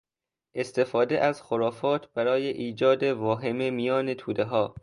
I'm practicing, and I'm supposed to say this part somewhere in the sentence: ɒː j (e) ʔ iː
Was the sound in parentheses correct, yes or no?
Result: yes